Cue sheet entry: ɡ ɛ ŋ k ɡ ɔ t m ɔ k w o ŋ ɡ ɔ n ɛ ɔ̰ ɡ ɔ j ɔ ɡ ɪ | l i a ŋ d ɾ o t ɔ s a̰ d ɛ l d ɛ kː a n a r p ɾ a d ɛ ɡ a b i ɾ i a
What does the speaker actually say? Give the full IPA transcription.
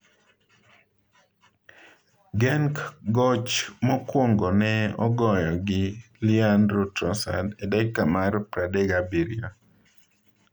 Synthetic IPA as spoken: ɡ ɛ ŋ k ɡ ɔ t͡ʃ m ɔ k w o ŋ ɡ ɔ n ɛ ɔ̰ ɡ ɔ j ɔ ɡ ɪ | l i a n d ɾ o t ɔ s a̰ d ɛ d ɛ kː a m a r p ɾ a d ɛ ɡ a b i ɾ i a